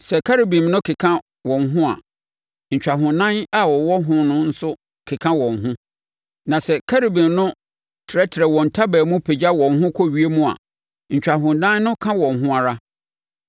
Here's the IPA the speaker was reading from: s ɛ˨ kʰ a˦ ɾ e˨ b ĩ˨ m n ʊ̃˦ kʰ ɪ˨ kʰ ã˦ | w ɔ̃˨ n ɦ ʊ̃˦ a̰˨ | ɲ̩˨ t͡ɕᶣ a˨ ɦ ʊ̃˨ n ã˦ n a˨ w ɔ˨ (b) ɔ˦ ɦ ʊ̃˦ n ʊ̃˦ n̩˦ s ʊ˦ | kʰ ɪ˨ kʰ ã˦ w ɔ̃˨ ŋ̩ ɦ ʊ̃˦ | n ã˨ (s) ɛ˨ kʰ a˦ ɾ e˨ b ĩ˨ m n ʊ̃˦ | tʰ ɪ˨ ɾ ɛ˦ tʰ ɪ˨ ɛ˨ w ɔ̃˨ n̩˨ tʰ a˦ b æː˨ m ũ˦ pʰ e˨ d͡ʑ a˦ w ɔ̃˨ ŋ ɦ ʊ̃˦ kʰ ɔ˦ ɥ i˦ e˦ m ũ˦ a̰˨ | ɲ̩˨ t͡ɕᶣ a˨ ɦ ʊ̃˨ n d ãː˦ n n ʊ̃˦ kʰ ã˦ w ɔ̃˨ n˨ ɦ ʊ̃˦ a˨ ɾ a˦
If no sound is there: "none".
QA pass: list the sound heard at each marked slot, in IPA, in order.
w, s

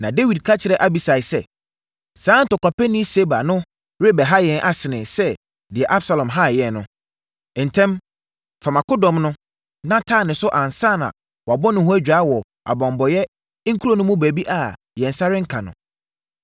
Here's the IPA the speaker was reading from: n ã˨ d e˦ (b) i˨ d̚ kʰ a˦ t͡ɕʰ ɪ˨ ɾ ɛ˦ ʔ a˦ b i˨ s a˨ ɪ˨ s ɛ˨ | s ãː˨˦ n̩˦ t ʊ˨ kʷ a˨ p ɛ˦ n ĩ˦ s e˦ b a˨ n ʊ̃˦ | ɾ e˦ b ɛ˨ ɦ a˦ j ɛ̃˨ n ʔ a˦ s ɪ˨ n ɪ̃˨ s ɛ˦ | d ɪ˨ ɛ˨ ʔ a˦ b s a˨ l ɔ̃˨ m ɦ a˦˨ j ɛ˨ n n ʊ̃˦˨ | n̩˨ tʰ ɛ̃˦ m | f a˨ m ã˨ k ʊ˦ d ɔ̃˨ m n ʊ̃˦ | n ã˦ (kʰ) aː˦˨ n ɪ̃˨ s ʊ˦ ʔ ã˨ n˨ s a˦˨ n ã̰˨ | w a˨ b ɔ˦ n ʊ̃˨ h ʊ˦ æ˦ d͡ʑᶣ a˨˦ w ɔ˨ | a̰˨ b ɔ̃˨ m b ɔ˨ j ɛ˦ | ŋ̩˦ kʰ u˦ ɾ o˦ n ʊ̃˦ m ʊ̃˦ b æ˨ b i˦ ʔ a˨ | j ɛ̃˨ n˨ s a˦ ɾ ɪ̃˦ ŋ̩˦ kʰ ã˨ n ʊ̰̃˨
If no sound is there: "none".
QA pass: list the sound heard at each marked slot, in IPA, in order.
w, tʰ

